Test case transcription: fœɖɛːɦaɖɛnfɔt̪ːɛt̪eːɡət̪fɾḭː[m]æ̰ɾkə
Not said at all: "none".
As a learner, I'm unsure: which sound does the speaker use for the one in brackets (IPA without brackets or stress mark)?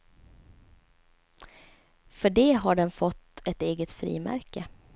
m